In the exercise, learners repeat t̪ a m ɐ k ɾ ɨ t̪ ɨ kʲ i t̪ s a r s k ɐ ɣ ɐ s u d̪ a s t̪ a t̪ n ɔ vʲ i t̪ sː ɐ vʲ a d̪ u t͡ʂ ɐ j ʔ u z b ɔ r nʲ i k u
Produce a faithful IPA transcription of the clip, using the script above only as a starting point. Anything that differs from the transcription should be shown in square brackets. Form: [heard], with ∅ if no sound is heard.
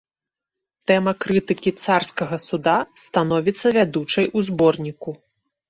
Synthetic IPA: t̪ [ɛ] m ɐ k ɾ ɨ t̪ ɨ kʲ i t̪ s a r s k ɐ ɣ ɐ s u d̪ a s t̪ a [∅] n ɔ vʲ i t̪ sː ɐ vʲ a d̪ u t͡ʂ ɐ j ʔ u z b ɔ r nʲ i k u